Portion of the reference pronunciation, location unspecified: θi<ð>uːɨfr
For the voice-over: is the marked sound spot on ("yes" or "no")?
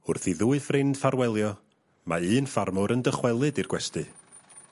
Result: yes